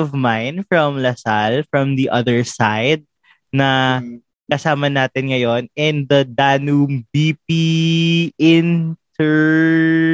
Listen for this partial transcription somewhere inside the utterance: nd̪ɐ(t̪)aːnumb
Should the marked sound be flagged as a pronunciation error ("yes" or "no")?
yes